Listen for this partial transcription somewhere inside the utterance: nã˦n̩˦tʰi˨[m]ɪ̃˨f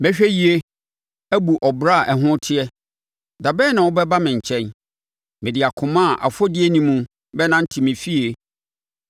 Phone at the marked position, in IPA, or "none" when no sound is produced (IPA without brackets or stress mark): m